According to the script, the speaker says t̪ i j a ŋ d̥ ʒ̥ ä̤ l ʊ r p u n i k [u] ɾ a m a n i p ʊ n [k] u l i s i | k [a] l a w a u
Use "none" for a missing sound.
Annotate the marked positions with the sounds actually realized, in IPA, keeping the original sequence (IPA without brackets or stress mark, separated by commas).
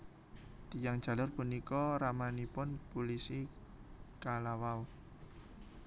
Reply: ɔ, p, a